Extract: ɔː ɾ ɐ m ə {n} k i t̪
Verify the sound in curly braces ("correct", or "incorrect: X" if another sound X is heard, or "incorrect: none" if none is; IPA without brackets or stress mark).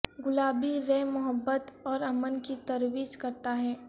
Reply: correct